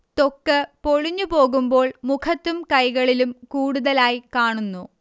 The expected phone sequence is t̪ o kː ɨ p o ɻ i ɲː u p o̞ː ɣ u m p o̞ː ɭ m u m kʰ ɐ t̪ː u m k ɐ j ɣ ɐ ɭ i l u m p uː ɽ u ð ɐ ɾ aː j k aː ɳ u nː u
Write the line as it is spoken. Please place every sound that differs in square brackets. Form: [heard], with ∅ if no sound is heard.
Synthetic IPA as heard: t̪ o kː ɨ p o ɻ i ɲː u p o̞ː ɣ u m [b] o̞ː ɭ m u [∅] kʰ ɐ t̪ː u m k ɐ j ɣ ɐ ɭ i l u m [k] uː ɽ u ð ɐ [l] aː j k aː ɳ u nː u